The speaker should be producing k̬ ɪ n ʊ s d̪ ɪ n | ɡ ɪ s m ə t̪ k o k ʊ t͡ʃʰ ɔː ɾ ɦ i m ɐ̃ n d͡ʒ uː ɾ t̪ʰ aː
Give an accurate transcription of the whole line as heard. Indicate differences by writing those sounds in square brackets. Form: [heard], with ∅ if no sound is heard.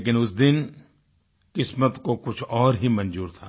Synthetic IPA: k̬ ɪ n ʊ s d̪ ɪ n | [k] ɪ s m ə t̪ k o k ʊ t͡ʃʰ ɔː ɾ ɦ i m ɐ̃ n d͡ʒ uː ɾ t̪ʰ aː